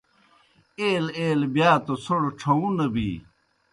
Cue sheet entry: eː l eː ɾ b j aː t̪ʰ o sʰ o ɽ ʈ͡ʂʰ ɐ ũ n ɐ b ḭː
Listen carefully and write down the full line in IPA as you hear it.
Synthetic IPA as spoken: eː l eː l b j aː t̪ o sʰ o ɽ ʈ͡ʂʰ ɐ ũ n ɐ b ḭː